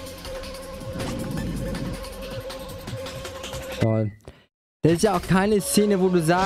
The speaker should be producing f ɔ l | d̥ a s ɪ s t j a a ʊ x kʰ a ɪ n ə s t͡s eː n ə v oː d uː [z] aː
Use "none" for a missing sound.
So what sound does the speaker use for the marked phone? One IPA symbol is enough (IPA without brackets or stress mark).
z